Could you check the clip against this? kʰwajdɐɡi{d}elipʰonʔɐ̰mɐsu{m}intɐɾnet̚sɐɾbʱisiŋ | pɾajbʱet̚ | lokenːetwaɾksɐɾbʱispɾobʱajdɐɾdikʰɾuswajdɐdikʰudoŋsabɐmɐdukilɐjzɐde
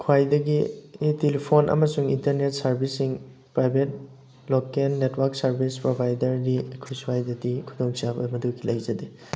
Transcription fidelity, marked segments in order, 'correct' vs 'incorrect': incorrect: t, incorrect: ŋ

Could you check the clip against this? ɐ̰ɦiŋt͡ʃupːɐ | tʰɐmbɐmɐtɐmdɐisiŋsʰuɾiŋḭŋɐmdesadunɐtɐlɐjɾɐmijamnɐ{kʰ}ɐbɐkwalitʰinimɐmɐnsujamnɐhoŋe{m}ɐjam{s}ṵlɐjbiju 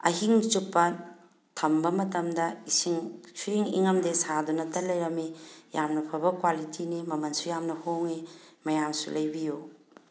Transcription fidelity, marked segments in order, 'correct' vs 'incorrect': incorrect: pʰ, correct, correct

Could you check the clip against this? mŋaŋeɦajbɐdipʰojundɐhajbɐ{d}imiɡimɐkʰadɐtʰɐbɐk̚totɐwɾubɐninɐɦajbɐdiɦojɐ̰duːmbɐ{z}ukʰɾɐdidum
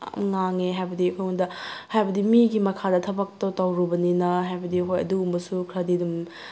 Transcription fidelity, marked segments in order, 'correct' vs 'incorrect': correct, incorrect: s

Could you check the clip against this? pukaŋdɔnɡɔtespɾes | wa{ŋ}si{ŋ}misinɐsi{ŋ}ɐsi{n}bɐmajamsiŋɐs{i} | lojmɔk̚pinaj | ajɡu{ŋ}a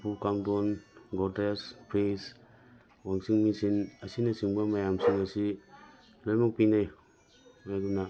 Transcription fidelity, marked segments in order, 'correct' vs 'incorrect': correct, correct, incorrect: n, incorrect: ŋ, correct, incorrect: n

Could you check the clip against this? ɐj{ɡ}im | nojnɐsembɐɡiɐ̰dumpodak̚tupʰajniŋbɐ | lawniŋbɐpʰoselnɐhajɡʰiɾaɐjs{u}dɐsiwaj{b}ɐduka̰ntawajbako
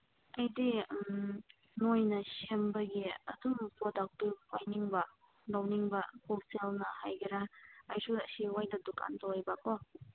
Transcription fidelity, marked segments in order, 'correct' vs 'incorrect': incorrect: d, correct, incorrect: d

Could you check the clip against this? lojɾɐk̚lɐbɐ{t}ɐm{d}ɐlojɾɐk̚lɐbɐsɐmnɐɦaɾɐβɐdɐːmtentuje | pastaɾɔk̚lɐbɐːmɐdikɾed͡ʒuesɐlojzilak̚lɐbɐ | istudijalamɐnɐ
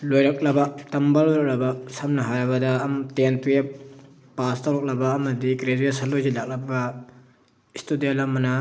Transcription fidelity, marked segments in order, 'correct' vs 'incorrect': correct, incorrect: b

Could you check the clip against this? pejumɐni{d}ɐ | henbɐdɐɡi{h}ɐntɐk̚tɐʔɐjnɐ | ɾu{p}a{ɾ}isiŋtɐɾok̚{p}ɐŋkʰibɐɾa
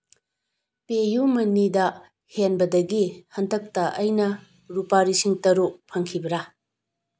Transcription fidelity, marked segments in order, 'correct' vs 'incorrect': correct, correct, correct, correct, incorrect: pʰ

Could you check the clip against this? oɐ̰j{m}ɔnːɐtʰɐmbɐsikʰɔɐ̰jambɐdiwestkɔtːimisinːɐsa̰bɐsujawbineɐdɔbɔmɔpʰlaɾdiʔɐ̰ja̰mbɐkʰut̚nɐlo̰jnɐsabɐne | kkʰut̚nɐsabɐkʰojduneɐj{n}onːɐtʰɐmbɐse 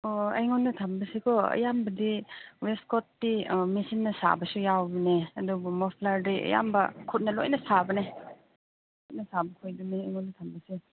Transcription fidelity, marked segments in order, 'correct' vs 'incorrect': incorrect: ŋ, incorrect: ŋ

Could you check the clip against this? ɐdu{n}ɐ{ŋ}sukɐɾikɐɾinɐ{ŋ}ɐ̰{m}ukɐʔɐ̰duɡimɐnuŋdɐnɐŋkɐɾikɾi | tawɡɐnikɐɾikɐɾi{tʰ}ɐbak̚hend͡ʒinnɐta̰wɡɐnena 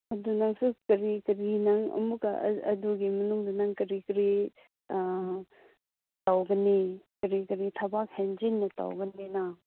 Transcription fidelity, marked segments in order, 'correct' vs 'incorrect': correct, correct, correct, correct, correct

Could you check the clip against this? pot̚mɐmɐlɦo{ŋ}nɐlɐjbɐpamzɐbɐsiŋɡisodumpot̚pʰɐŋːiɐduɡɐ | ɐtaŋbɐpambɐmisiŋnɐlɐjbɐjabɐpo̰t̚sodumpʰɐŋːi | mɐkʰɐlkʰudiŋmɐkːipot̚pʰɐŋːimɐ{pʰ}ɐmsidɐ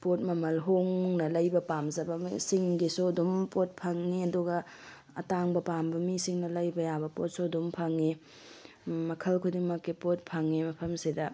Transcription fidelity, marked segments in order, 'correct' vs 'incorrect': correct, correct

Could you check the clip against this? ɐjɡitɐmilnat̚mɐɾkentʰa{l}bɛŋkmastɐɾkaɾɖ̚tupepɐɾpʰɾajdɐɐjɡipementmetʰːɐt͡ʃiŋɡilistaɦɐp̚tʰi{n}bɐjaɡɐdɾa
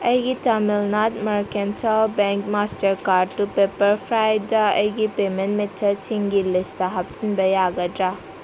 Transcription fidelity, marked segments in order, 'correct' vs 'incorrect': correct, correct

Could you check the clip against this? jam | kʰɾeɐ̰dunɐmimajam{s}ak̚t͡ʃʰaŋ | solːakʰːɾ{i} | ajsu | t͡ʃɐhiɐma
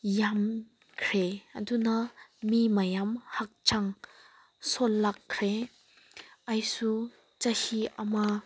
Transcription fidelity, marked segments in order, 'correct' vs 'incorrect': incorrect: h, incorrect: e

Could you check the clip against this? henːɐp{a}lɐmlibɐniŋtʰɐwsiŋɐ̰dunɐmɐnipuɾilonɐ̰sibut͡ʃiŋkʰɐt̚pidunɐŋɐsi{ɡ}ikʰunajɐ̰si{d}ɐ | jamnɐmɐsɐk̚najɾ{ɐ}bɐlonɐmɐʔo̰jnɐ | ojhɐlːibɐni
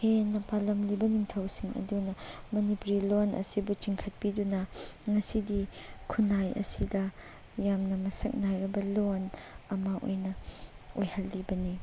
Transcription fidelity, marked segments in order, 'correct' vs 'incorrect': correct, incorrect: d, correct, correct

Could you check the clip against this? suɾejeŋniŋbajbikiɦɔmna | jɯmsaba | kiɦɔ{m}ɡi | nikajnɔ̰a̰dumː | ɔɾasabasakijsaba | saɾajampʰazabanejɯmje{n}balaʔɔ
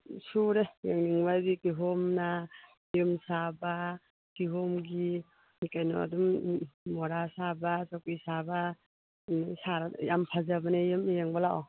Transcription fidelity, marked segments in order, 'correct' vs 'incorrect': correct, incorrect: ŋ

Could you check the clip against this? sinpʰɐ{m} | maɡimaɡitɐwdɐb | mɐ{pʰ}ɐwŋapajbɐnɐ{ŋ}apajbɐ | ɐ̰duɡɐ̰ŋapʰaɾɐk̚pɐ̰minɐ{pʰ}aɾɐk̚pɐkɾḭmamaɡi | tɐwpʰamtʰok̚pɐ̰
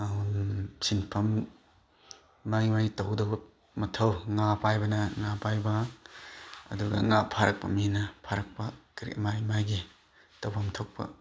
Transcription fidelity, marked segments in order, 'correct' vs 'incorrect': correct, incorrect: tʰ, correct, correct

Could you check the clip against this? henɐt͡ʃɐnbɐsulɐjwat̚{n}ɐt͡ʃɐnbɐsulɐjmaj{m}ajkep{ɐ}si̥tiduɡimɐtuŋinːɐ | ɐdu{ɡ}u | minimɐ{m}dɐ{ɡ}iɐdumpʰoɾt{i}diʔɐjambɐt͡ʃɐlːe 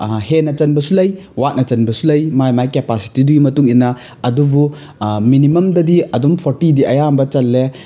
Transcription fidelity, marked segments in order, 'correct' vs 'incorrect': correct, correct, incorrect: a, incorrect: b, correct, incorrect: d, correct

